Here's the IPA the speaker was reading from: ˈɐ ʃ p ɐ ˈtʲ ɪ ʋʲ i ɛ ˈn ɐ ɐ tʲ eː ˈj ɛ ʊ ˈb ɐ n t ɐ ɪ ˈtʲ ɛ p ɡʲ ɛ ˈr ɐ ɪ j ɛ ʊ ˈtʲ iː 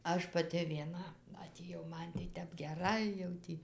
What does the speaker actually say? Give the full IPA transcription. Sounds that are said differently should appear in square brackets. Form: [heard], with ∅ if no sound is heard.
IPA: ˈɐ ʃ p ɐ ˈtʲ ɪ ʋʲ i ɛ ˈn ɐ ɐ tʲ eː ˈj ɛ ʊ [ˈm] ɐ n t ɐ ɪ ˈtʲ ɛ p ɡʲ ɛ ˈr ɐ ɪ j ɛ ʊ ˈtʲ iː